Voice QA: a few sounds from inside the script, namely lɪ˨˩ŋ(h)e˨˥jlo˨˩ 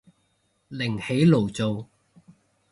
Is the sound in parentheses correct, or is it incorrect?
correct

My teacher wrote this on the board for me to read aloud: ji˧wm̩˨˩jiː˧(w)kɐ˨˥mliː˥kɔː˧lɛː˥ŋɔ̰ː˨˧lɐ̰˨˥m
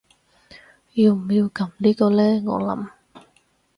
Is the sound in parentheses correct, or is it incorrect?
correct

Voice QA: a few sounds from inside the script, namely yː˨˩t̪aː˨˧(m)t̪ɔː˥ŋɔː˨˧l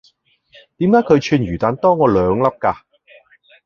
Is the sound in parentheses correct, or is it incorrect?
incorrect: n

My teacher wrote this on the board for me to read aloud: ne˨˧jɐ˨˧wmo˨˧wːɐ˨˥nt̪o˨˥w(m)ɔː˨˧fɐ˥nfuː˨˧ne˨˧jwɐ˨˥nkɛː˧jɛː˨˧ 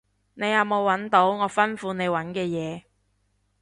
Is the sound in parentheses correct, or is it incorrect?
incorrect: ŋ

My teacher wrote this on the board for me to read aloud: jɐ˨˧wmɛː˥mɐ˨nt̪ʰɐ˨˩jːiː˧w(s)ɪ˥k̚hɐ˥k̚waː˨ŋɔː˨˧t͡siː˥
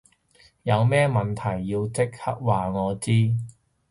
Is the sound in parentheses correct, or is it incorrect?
incorrect: t͡s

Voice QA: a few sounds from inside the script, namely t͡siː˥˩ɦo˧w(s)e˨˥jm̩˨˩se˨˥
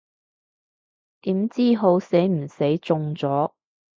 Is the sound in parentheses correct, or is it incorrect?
correct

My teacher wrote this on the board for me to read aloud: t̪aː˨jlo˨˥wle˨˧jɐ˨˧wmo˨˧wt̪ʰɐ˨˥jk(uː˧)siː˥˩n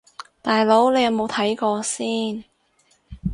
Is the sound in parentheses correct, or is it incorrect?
incorrect: ɔː˧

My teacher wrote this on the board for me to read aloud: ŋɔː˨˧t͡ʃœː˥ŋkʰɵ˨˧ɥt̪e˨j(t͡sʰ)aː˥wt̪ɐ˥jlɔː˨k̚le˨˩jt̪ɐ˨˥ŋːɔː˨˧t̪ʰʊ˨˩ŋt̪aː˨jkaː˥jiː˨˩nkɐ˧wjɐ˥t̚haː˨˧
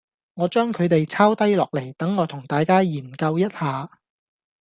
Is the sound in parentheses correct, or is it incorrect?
correct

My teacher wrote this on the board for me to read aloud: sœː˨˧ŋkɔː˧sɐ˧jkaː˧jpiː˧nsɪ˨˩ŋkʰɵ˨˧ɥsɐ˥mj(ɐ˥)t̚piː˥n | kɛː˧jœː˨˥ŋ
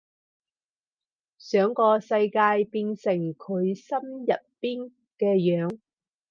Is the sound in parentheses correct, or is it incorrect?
incorrect: ɐ˨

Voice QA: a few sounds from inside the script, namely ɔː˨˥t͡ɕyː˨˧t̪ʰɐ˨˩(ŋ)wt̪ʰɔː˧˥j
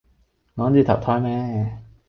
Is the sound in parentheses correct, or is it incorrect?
incorrect: none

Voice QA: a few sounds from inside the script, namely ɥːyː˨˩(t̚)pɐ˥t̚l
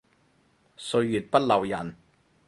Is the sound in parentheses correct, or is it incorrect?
correct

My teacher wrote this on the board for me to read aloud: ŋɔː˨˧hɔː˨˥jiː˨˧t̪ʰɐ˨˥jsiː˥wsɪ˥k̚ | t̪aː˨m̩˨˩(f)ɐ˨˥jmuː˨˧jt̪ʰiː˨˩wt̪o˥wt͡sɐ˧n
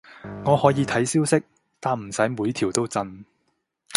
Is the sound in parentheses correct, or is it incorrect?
incorrect: s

